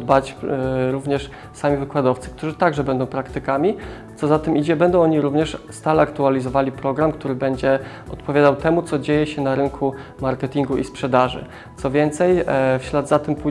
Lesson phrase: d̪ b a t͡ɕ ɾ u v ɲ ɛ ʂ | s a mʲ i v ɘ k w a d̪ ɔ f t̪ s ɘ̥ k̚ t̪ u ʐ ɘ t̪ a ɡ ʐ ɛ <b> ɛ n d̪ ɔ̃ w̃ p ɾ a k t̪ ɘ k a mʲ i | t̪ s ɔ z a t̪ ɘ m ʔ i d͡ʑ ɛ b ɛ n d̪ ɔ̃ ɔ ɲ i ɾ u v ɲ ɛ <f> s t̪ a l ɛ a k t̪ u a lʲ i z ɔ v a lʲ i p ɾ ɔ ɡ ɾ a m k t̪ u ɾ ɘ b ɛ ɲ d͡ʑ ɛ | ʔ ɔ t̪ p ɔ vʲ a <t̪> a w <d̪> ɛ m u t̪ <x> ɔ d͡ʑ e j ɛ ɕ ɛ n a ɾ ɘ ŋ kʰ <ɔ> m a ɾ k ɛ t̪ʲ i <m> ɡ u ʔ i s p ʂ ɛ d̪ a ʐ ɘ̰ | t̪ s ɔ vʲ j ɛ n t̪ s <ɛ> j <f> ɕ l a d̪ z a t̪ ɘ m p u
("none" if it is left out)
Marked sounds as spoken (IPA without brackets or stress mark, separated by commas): b, ʂ, d̪, t̪, s, u, ŋ, ɛ, f